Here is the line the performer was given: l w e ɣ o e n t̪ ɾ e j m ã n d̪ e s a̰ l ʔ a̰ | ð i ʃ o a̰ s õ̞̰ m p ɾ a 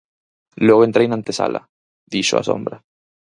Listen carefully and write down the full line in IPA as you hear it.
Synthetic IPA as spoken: l w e ɣ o e n t̪ ɾ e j n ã n t̪ e s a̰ l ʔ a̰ | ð i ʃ o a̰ s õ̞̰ m b ɾ a